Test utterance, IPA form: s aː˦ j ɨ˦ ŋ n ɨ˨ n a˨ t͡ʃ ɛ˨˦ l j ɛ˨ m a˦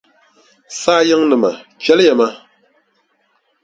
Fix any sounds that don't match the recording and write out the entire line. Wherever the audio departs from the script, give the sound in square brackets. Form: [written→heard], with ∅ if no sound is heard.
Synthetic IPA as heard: s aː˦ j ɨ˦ ŋ n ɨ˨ [n→m] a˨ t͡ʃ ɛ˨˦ l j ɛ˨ m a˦